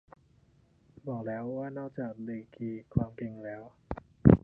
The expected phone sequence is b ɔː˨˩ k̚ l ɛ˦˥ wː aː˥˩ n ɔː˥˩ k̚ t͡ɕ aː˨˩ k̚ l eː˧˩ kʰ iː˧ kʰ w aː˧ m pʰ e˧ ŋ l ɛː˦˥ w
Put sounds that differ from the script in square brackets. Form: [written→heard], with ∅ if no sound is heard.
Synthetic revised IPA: b ɔː˨˩ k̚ l [ɛ˦˥→ɛː˦˥] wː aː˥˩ n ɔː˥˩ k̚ t͡ɕ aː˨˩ k̚ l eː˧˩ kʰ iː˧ kʰ w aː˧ m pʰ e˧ ŋ l ɛː˦˥ w